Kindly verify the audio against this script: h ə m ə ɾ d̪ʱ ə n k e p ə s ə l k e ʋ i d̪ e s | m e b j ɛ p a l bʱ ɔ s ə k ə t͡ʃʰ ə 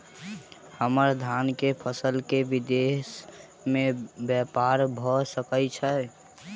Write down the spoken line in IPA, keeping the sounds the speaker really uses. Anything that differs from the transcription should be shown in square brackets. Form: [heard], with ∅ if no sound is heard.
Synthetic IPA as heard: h ə m ə ɾ d̪ʱ [a] n k e [pʰ] ə s ə l k e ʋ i d̪ e s | m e b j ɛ p a [ɾ] bʱ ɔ s ə k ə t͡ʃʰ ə